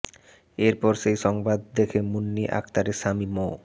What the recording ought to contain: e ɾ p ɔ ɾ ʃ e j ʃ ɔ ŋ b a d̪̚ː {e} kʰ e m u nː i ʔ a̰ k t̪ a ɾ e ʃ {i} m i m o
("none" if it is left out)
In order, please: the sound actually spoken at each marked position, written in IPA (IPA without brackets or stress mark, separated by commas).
e, a